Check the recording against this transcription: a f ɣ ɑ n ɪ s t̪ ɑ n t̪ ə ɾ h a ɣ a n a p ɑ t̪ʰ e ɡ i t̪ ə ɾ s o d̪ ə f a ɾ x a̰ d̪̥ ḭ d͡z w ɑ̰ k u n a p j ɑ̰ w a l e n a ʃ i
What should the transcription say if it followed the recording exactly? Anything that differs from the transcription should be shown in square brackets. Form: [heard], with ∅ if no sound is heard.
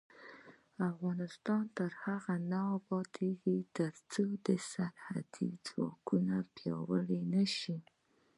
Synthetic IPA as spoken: a f ɣ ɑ n ɪ s t̪ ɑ n t̪ ə ɾ h a ɣ a n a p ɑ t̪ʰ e ɡ i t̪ ə ɾ [t͡s] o d̪ ə [s] a ɾ [h] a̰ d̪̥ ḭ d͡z w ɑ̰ k u n a p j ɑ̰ w [ə] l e n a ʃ i